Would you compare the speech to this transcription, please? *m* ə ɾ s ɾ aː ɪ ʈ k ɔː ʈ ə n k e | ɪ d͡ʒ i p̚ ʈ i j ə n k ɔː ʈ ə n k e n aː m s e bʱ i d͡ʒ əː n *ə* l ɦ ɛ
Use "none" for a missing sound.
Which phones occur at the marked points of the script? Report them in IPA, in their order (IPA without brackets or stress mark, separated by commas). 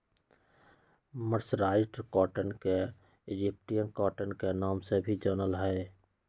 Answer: m, ə